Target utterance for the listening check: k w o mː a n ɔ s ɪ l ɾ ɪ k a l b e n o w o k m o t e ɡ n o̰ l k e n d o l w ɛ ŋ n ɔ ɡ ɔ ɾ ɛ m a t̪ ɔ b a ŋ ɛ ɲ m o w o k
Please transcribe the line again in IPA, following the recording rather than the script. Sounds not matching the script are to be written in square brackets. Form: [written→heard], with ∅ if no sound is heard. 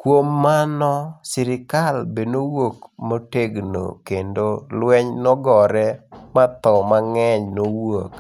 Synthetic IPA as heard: k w o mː a n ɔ s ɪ [l→∅] ɾ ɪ k a l b e n o w o k m o t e ɡ n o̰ [l→∅] k e n d o l w ɛ [ŋ→ɲ] n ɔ ɡ ɔ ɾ ɛ m a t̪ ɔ [b→m] a ŋ ɛ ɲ [m→n] o w o k